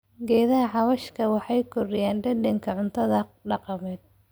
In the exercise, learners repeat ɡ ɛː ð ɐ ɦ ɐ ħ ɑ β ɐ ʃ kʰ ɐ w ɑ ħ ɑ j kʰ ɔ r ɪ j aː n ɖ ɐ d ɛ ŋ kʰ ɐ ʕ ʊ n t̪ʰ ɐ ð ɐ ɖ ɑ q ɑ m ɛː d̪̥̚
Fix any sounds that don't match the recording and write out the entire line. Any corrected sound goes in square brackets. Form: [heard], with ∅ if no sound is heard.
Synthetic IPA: ɡ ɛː ð ɐ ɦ ɐ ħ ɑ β ɐ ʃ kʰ ɐ w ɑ ħ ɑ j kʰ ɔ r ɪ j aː n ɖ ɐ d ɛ ŋ kʰ ɐ ʕ ʊ n t̪ʰ ɐ ð ɐ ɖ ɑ q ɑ m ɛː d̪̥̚